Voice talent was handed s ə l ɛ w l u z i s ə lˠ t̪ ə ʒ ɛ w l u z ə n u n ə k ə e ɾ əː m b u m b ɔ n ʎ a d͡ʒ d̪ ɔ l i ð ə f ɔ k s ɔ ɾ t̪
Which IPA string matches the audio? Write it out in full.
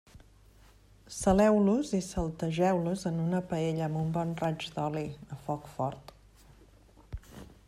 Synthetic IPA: s ə l ɛ w l u z i s ə lˠ t̪ ə ʒ ɛ w l u z ə n u n ə p ə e ʎ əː m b u m b ɔ n r a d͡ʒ d̪ ɔ l i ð ə f ɔ k f ɔ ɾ t̪